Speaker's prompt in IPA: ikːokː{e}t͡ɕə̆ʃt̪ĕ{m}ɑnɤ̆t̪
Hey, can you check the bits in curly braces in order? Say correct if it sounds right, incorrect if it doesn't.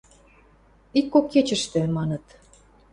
correct, correct

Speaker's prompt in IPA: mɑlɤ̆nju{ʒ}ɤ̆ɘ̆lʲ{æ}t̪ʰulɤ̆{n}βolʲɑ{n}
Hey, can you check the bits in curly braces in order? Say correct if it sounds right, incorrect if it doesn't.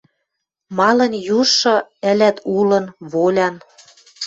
incorrect: ʃ, correct, correct, correct

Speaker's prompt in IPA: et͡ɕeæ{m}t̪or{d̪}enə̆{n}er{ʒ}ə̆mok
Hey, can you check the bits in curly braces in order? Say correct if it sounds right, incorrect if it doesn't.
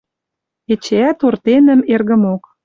incorrect: none, incorrect: t̪, incorrect: m, incorrect: ɣ

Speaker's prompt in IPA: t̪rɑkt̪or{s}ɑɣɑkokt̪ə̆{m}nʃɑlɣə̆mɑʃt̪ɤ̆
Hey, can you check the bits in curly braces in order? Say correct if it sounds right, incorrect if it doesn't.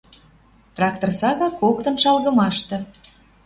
correct, incorrect: none

